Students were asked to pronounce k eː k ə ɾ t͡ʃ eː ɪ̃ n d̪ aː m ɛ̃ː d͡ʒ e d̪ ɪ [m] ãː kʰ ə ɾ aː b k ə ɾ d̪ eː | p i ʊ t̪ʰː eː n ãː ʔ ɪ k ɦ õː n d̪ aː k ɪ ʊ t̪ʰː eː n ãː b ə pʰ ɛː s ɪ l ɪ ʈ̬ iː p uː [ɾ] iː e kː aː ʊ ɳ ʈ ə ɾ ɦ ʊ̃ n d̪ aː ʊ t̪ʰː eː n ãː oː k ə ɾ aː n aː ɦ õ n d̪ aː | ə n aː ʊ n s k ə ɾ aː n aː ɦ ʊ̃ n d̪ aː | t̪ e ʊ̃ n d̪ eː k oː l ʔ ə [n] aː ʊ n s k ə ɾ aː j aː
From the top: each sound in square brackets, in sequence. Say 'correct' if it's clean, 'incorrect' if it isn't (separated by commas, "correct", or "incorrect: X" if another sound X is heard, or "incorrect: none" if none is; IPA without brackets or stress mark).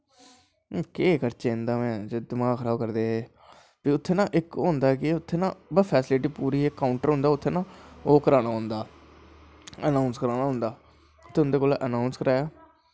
correct, correct, correct